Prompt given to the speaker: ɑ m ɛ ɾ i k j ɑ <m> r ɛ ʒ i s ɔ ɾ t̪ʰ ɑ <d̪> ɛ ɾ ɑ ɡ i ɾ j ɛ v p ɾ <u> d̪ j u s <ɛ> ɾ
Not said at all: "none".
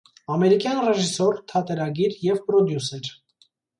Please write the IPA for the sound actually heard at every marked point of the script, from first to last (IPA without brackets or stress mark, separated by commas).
n, t̪, ɔ, ɛ